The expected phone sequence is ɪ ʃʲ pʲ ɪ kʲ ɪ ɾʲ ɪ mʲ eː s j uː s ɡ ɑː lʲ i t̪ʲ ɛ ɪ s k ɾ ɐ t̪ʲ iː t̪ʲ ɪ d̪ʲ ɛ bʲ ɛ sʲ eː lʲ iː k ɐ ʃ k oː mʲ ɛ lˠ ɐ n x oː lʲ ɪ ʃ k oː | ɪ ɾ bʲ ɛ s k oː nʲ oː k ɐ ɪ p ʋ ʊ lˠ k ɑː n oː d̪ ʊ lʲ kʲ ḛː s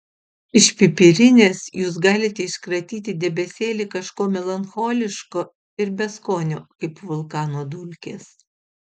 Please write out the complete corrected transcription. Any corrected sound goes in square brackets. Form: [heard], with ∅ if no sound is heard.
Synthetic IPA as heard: ɪ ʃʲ pʲ ɪ [pʲ] ɪ ɾʲ ɪ [nʲ] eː s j uː s ɡ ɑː lʲ [ɪ] t̪ʲ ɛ ɪ [ʃ] k ɾ ɐ t̪ʲ iː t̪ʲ ɪ d̪ʲ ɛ bʲ ɛ sʲ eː lʲ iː k ɐ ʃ k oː mʲ ɛ lˠ ɐ n x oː lʲ ɪ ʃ k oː | ɪ ɾ bʲ ɛ s k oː nʲ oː k ɐ ɪ p ʋ ʊ lˠ k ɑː n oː d̪ ʊ lʲ kʲ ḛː s